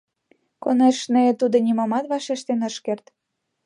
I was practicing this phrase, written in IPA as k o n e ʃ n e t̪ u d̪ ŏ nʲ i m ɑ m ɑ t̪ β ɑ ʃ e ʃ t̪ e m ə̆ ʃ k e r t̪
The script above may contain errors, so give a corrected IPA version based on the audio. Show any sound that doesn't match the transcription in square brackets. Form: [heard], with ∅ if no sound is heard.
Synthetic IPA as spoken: k o n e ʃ n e t̪ u d̪ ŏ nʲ i m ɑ m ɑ t̪ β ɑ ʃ e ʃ t̪ e [n] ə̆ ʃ k e r t̪